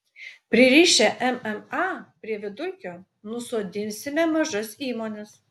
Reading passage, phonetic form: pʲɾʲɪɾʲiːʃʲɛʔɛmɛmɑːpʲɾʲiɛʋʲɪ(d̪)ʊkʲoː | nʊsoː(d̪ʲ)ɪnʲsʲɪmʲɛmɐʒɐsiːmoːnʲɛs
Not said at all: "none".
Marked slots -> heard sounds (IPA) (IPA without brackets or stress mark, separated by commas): d̪, d̪ʲ